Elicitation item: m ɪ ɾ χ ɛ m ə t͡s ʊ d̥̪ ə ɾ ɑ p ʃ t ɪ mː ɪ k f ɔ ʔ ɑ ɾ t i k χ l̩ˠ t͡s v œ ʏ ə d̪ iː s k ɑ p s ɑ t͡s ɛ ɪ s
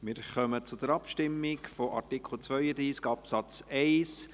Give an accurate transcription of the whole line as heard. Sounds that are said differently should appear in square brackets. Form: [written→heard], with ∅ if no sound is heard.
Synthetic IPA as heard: m ɪ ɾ χ [ɛ→œ] m ə t͡s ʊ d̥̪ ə ɾ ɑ p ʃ t ɪ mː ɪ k f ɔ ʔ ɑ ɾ t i k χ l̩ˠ t͡s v œ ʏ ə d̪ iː s k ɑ p s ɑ t͡s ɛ ɪ s